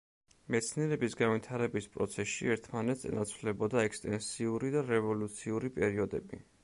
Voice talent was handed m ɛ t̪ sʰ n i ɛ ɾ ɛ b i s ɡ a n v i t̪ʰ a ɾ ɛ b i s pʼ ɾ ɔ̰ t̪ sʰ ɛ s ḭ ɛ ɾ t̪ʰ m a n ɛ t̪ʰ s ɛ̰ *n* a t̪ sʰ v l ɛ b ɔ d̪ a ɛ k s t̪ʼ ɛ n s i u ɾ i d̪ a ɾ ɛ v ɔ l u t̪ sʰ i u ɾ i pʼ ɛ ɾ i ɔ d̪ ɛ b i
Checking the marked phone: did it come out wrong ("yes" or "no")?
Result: no